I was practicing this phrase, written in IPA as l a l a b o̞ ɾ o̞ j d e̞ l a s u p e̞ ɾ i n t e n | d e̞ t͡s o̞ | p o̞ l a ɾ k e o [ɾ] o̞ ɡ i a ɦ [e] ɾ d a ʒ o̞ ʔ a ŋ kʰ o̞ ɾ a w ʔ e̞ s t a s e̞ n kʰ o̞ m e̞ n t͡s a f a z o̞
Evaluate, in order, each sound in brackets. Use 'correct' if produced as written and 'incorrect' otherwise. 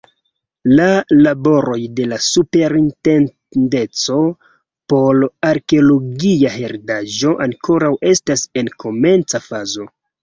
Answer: incorrect: l, correct

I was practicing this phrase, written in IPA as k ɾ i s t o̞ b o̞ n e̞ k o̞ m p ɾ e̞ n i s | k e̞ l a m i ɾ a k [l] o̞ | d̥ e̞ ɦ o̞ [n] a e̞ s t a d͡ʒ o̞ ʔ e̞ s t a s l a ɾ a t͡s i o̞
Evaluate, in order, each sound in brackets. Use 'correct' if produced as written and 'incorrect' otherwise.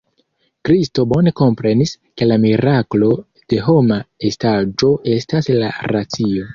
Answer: correct, incorrect: m

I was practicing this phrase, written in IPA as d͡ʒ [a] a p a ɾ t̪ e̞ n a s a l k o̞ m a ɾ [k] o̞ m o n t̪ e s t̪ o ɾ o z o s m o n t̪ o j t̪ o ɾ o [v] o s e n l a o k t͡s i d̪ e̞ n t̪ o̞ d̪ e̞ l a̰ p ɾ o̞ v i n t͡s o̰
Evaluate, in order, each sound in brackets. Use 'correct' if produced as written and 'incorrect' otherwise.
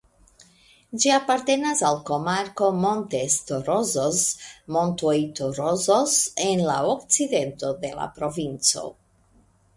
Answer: incorrect: i, correct, incorrect: z

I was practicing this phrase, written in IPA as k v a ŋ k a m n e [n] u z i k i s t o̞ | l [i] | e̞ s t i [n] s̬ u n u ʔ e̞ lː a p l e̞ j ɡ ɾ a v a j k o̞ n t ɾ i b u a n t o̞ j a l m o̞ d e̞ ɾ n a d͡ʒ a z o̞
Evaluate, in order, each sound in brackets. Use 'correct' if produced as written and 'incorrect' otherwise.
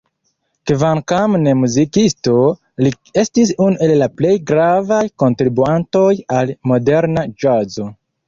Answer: incorrect: m, correct, incorrect: none

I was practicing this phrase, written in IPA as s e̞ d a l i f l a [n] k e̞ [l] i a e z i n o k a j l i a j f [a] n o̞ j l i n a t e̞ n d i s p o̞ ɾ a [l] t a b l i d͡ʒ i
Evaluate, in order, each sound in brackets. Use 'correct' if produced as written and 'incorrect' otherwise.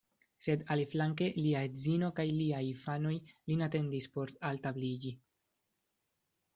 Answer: incorrect: ŋ, correct, correct, correct

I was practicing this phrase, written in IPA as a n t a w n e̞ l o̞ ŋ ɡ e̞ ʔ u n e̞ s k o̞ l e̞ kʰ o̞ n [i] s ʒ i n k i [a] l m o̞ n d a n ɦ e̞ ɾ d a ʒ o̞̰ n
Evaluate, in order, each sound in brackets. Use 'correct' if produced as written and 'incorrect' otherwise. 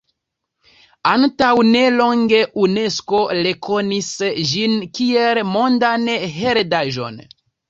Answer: correct, incorrect: e

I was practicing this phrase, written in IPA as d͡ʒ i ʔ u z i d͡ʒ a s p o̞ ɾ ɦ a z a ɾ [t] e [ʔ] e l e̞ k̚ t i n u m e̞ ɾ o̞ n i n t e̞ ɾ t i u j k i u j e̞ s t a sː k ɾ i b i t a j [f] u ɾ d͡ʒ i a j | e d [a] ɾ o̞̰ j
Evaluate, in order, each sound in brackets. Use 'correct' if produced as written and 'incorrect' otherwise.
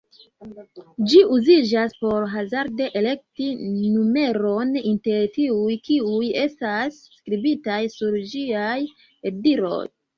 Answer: incorrect: d, correct, incorrect: s, incorrect: i

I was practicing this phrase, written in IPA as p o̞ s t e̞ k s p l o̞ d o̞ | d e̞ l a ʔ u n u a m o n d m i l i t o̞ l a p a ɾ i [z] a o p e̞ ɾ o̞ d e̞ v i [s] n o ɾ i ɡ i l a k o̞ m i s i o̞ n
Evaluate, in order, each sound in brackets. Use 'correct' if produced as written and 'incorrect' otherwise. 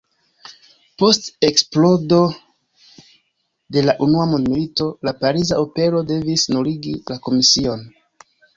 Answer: correct, correct

